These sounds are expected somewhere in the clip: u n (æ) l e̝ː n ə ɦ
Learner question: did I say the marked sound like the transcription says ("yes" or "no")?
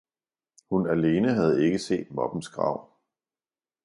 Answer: yes